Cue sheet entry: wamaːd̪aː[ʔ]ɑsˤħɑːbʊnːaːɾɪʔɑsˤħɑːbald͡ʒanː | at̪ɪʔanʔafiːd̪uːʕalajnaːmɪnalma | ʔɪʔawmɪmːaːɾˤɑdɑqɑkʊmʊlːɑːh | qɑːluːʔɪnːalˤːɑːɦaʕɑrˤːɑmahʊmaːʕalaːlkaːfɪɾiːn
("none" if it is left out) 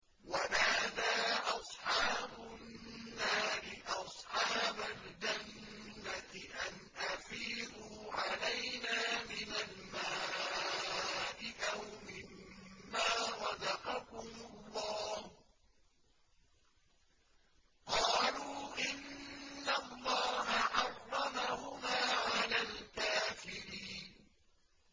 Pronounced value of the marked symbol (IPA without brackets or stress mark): ʔ